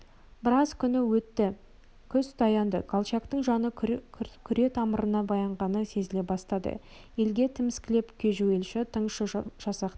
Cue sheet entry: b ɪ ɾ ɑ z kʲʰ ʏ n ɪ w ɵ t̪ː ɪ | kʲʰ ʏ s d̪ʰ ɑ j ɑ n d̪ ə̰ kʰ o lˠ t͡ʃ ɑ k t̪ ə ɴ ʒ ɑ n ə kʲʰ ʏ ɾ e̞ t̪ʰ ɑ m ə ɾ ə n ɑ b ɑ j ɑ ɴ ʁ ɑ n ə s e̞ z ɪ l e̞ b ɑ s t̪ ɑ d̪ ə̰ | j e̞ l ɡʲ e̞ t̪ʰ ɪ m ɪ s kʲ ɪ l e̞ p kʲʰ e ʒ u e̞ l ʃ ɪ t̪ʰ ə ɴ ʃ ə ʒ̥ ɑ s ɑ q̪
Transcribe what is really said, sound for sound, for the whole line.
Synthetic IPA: b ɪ ɾ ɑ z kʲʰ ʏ n ɪ w ɵ t̪ː ɪ | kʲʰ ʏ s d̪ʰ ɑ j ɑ n d̪ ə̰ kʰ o lˠ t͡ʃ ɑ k t̪ ə ɴ ʒ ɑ n ə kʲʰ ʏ ɾ e̞ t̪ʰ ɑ m ə ɾ ə n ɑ b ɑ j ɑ ɴ ʁ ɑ n ə s e̞ z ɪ l e̞ b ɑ s t̪ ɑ d̪ ə̰ | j e̞ l ɡʲ e̞ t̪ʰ ɪ m ɪ s kʲ ɪ l e̞ p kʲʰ e ʒ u e̞ l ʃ ɪ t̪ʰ ə ɴ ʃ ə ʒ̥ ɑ s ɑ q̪